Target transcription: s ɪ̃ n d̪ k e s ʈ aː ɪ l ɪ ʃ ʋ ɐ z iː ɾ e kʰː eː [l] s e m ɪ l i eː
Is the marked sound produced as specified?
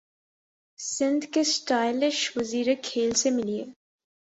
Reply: yes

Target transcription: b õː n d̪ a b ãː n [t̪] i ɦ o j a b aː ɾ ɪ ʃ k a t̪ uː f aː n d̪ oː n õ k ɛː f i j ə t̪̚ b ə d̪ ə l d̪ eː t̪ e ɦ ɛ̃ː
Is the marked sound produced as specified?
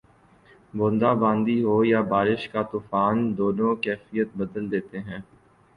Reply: no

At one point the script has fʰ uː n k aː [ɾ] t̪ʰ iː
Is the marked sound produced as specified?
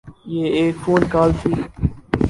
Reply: no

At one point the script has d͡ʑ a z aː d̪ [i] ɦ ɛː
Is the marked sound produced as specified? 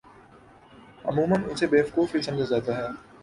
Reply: no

